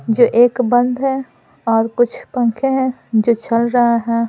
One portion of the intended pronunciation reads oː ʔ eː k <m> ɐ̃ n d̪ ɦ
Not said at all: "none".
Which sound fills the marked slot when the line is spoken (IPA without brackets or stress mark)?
b